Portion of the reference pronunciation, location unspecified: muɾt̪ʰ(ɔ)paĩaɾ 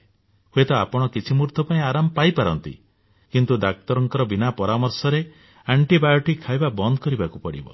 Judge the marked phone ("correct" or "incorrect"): correct